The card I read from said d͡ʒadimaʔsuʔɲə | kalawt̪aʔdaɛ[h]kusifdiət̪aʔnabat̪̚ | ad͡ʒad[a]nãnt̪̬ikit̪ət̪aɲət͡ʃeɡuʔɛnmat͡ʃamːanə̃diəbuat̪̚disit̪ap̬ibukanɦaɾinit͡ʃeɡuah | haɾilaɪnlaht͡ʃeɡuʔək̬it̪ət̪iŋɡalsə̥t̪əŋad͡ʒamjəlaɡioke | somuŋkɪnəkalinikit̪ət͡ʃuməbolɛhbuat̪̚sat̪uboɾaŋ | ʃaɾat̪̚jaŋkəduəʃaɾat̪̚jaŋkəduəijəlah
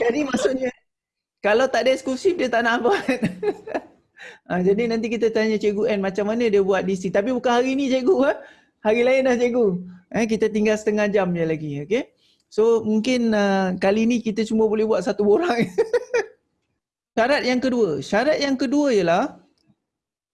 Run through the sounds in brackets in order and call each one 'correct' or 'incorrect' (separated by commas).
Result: incorrect, incorrect